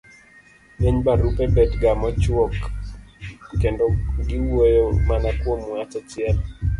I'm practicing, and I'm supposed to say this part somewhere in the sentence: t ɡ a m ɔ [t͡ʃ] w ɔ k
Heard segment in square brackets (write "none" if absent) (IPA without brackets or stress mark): t͡ʃ